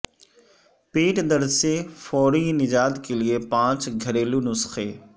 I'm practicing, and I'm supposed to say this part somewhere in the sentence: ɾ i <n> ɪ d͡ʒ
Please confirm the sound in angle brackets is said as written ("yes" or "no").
yes